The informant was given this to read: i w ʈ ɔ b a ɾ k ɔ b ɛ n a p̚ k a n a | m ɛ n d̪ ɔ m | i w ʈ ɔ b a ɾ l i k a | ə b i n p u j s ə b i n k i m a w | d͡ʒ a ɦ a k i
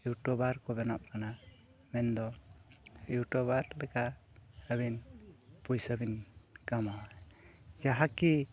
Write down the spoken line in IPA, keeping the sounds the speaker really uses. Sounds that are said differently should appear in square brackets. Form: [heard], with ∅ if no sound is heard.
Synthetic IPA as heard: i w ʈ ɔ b a ɾ k ɔ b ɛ n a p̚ k a n a | m ɛ n d̪ ɔ [∅] | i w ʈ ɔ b a ɾ l [ɛ] k a | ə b i n p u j s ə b i n k [a] m a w | d͡ʒ a ɦ a k i